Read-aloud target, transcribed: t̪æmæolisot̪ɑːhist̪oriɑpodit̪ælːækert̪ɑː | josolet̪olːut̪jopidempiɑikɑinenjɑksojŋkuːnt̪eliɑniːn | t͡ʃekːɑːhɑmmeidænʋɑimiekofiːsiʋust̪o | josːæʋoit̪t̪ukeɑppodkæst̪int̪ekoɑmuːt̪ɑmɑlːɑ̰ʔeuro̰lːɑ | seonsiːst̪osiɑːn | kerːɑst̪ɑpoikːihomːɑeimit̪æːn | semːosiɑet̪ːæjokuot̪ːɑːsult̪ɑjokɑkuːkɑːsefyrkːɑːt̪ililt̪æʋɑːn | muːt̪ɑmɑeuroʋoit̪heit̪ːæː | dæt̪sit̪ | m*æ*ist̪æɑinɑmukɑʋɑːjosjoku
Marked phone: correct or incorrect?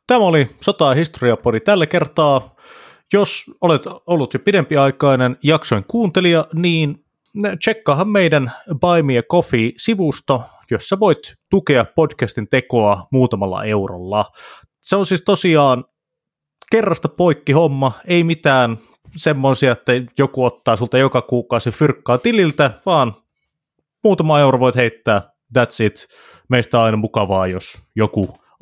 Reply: incorrect